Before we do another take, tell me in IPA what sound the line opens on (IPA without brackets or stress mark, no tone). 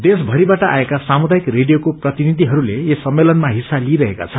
d̪